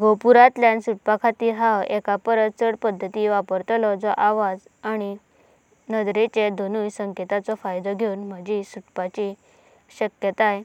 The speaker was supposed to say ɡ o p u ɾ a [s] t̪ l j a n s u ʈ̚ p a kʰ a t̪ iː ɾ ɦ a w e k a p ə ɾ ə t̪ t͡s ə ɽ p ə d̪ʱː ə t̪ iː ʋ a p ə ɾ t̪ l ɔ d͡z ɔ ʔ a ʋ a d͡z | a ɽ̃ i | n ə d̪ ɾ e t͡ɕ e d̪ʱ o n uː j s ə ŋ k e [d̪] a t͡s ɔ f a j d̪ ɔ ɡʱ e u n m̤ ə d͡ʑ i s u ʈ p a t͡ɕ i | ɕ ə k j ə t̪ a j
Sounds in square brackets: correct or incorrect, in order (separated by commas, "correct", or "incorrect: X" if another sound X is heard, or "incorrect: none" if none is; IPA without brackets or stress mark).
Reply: incorrect: none, incorrect: t̪